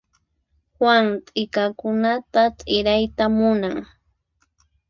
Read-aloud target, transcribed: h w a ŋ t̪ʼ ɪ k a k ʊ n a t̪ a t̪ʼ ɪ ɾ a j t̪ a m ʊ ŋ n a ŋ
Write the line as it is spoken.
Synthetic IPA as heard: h w a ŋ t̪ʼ ɪ k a k ʊ n a t̪ a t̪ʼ ɪ ɾ a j t̪ a m ʊ n a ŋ